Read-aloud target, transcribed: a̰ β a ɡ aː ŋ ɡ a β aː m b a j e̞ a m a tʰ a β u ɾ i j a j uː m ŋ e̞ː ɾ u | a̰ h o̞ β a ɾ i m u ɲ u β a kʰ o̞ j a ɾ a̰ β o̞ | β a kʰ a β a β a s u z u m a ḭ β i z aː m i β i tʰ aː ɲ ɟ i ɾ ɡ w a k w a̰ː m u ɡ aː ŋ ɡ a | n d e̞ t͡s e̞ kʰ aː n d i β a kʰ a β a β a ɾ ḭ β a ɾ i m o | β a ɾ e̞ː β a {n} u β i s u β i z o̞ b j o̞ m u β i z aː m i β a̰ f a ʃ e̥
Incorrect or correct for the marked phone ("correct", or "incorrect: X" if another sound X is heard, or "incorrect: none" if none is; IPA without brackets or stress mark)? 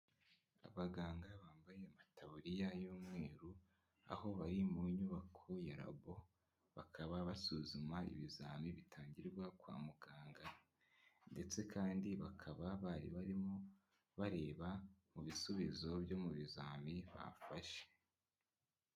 incorrect: m